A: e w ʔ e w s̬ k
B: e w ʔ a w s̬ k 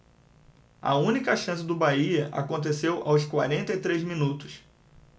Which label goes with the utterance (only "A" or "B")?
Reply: B